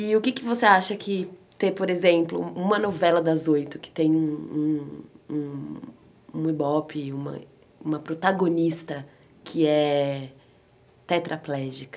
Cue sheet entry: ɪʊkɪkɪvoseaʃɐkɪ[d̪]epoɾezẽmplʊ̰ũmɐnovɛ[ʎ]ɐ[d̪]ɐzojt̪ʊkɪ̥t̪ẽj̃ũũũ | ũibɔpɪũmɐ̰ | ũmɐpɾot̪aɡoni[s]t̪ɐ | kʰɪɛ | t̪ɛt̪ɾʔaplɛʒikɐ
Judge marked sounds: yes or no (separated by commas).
no, no, yes, yes